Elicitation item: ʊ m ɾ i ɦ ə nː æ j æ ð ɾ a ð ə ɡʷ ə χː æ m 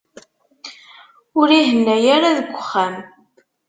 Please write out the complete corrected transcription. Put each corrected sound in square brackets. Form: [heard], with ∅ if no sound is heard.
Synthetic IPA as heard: ʊ [∅] ɾ i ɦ ə nː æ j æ [∅] ɾ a ð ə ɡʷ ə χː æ m